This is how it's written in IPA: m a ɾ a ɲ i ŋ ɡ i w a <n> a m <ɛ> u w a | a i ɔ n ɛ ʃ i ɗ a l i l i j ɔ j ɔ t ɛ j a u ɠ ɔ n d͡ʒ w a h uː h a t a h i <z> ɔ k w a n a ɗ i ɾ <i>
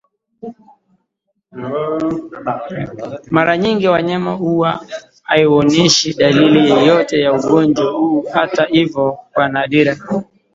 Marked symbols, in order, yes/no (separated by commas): no, no, no, no